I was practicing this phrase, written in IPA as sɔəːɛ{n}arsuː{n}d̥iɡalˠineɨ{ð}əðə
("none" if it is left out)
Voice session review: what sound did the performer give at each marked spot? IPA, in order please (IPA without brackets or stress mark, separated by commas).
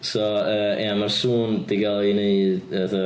m, n, ð